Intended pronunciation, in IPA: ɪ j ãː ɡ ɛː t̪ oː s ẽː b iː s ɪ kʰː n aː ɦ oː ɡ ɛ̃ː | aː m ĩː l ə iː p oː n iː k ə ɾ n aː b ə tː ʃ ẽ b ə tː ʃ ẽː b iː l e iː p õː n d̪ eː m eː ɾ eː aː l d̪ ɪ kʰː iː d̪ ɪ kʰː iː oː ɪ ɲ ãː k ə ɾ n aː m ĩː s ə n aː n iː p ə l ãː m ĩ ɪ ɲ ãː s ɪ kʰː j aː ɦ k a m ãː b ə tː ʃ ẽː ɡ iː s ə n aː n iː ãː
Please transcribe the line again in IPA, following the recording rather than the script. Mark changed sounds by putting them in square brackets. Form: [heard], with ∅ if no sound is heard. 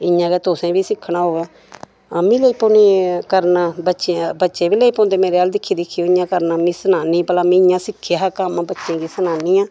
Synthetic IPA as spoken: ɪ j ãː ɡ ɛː t̪ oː s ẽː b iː s ɪ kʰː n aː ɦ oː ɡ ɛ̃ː | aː m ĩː l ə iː p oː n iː k ə ɾ n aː b ə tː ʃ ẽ b ə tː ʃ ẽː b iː l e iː p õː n d̪ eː m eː ɾ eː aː l d̪ ɪ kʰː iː d̪ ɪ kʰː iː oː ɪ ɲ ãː k ə ɾ n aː m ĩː s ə n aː n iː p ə l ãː m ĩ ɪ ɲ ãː s ɪ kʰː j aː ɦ k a m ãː b ə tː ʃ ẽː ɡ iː s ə n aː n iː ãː